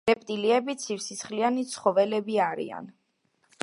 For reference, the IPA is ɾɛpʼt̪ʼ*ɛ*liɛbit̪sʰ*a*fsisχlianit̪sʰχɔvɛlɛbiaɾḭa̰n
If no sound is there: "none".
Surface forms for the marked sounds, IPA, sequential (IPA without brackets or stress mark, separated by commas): i, i